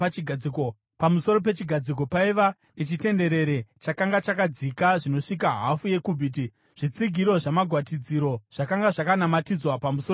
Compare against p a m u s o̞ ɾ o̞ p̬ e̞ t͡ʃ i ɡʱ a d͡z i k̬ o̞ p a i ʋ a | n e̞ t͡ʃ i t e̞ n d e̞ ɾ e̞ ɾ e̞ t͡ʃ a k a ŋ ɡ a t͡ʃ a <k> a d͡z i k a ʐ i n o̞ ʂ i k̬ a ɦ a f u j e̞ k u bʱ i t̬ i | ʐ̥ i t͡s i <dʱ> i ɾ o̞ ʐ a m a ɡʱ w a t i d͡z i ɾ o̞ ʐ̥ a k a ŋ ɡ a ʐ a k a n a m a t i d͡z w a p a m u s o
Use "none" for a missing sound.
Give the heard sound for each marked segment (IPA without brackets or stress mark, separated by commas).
k, ɡʱ